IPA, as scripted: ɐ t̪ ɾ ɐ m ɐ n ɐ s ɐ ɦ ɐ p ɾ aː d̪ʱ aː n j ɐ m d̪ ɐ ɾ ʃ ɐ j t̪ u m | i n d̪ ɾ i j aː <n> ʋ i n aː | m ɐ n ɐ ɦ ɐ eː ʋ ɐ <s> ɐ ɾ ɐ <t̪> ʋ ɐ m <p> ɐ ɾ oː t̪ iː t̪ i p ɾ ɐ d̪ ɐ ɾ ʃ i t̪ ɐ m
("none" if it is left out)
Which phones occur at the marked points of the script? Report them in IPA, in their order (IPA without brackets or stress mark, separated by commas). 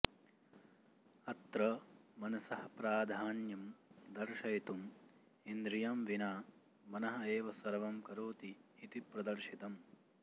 m, s, none, k